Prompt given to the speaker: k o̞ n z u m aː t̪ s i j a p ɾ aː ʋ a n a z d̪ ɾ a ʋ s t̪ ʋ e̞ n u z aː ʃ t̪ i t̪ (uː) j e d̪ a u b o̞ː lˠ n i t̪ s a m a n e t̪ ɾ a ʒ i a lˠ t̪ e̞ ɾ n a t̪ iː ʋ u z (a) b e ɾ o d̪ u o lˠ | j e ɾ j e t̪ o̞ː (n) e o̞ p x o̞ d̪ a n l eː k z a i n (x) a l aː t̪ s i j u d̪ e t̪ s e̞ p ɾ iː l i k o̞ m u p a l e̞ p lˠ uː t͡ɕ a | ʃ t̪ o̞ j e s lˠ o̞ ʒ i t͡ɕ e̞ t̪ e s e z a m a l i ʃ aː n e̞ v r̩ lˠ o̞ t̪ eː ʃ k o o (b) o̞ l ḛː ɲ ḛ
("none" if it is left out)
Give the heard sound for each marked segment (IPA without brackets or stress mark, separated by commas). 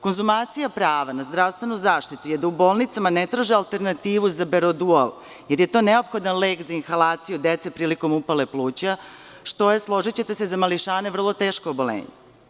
u, a, n, x, b